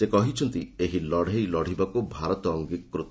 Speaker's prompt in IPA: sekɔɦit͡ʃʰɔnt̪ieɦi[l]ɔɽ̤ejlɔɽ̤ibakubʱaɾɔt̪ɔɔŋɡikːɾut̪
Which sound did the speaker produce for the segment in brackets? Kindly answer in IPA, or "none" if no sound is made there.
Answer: l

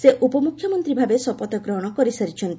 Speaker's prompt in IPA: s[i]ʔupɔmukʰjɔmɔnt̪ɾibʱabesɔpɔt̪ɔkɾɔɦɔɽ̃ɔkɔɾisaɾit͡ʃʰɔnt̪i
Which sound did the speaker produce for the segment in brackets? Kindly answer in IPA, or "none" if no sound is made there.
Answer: e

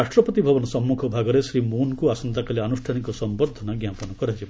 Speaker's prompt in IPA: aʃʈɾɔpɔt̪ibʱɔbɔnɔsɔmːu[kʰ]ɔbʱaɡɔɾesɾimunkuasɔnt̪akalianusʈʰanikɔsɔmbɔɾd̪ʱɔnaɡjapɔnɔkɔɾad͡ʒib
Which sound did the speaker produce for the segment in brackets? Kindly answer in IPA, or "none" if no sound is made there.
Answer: kʰ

